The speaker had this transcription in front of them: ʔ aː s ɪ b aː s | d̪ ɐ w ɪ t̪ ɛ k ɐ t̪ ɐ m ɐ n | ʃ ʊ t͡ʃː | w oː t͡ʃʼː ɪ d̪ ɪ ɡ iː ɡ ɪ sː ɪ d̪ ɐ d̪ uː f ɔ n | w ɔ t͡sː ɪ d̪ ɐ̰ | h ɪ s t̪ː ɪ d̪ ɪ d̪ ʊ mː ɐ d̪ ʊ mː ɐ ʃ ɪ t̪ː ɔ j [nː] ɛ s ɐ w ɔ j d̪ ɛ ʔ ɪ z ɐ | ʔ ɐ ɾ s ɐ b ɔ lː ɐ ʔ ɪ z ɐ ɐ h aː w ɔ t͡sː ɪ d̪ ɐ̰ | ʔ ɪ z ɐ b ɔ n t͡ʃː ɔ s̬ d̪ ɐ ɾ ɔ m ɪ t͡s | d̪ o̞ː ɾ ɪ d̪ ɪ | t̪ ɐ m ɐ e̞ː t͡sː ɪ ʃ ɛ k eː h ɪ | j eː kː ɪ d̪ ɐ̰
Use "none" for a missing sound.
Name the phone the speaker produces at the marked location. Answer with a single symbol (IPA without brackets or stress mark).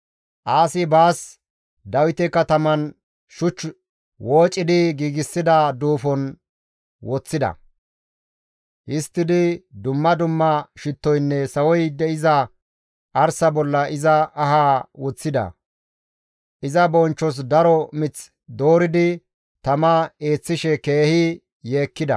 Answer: nː